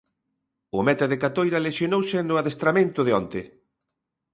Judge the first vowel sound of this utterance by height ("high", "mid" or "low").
high